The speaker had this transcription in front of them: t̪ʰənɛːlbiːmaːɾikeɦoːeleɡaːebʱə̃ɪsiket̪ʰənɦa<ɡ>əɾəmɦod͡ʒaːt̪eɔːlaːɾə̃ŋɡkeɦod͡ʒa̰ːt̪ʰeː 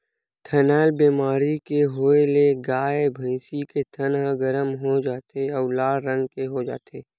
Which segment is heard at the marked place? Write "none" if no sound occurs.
ɡ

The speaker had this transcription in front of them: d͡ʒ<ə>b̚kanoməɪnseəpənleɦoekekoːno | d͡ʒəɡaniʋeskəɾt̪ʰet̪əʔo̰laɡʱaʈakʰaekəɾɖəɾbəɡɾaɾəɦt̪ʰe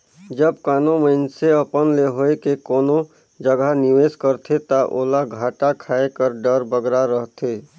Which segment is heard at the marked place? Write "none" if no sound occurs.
ə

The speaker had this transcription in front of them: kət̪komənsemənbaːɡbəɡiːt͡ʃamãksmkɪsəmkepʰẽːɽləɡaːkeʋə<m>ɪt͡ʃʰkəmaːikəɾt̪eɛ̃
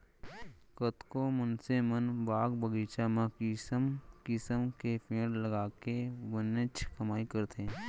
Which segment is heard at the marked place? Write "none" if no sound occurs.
n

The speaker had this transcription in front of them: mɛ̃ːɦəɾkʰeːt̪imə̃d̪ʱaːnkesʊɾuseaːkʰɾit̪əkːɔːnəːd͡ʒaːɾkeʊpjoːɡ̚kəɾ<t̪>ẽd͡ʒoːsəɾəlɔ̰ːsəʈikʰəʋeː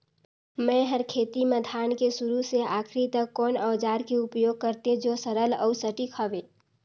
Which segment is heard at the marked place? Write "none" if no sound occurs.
t̪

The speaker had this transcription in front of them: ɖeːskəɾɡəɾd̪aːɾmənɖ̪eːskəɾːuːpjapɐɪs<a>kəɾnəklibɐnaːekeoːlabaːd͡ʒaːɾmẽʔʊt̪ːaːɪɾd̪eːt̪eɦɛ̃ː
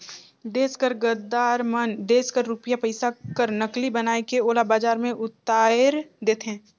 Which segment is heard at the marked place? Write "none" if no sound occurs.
a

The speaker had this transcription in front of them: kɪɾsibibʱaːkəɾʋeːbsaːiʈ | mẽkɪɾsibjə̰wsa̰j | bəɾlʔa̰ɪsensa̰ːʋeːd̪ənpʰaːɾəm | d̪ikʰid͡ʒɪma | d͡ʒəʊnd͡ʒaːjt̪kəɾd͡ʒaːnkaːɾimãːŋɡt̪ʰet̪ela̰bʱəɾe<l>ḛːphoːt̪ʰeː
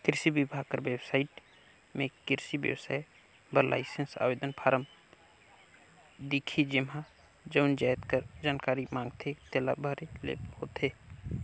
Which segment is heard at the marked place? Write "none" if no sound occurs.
l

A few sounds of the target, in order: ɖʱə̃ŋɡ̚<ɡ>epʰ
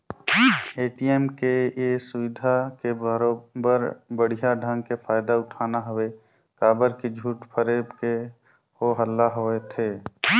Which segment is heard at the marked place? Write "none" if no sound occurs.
k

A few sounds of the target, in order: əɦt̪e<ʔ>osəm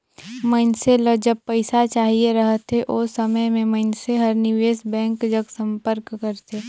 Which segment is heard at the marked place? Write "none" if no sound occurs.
ʔ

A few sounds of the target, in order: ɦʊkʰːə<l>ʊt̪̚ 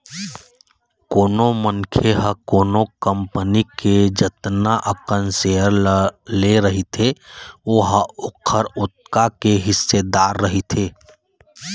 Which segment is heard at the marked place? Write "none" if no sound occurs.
ɾ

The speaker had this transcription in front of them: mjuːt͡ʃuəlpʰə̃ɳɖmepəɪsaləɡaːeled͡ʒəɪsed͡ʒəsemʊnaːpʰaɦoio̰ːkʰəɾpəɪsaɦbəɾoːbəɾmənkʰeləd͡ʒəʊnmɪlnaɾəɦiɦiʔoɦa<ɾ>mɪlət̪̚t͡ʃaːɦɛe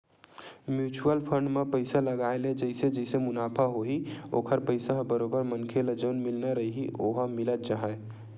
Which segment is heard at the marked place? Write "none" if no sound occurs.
none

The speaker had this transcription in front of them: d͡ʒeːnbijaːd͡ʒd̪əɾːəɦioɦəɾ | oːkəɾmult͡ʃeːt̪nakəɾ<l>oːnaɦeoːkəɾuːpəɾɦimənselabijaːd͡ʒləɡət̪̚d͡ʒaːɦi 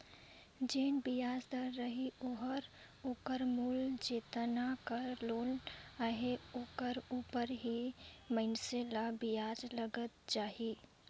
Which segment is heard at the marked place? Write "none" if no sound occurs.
l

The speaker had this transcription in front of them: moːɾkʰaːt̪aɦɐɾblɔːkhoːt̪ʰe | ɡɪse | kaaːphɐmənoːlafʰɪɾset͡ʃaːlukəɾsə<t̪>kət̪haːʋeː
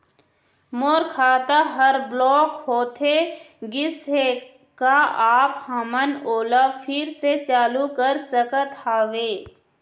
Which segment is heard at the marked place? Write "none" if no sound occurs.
none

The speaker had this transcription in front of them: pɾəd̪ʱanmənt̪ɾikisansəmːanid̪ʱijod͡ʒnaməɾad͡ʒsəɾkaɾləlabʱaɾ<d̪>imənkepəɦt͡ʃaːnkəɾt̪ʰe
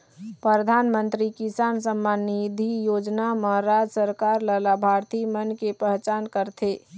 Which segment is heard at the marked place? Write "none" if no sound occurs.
t̪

